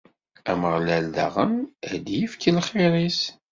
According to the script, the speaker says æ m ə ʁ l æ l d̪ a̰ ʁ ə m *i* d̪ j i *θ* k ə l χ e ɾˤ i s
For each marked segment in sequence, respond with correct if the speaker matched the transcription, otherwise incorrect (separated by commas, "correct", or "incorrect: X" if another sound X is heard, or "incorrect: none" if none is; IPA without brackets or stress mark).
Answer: incorrect: æ, incorrect: f